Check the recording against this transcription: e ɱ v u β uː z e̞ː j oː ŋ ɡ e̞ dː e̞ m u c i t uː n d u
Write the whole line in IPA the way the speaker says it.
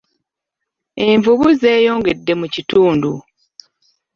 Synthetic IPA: e ɱ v u β u z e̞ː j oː ŋ ɡ e̞ dː e̞ m u c i t uː n d u